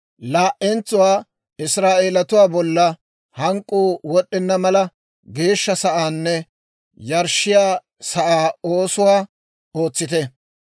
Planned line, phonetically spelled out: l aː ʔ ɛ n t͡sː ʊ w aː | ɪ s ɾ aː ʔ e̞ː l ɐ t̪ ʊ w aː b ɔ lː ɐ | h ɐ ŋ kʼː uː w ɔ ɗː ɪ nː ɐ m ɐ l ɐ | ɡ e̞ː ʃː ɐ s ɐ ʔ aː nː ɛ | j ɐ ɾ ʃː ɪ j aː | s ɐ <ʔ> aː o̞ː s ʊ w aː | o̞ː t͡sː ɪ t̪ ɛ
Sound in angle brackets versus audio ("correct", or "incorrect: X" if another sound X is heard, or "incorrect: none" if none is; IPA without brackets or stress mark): correct